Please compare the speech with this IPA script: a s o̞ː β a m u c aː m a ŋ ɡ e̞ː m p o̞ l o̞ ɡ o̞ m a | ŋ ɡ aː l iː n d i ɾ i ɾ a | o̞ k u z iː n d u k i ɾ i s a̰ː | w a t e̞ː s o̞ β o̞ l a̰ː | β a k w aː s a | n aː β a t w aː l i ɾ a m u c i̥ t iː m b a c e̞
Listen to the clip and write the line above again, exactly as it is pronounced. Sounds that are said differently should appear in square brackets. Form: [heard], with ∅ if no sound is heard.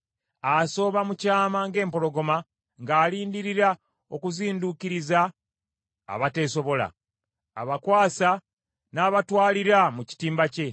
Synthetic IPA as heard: a s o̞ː β a m u c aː m a ŋ ɡ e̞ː m p o̞ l o̞ ɡ o̞ m a | ŋ ɡ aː l iː n d i ɾ i ɾ a | o̞ k u z iː n d u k i ɾ i [z] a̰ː | [β] a t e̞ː s o̞ β o̞ l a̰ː | β a k w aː s a | n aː β a t w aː l i ɾ a m u c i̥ t iː m b a c e̞